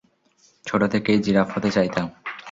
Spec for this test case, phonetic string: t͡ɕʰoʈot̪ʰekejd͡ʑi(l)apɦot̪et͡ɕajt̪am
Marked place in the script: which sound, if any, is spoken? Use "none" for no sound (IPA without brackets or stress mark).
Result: ɾ